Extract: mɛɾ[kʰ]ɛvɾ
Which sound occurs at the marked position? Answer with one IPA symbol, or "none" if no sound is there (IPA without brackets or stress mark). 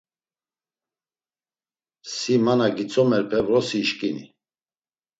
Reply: pʰ